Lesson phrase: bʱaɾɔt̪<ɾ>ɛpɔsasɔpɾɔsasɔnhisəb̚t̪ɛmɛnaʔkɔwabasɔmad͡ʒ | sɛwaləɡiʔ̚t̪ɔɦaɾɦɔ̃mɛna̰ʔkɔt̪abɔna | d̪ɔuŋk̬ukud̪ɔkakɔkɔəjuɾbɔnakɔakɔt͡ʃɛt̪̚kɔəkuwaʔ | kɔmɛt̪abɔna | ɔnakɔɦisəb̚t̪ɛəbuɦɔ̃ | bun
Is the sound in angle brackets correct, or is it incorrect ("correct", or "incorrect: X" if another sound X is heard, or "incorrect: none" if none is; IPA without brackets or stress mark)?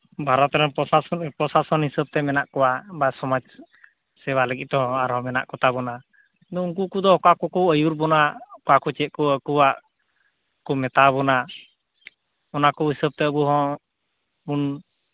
correct